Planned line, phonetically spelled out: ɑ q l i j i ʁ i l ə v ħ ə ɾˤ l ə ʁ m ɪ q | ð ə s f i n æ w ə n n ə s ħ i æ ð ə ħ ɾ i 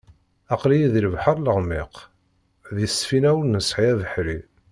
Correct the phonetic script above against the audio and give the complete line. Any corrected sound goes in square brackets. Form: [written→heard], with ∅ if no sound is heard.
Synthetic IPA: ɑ q l i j i [ʁ→ð] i l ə v ħ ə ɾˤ l ə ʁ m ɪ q | ð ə s f i n æ w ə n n ə s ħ i æ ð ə ħ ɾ i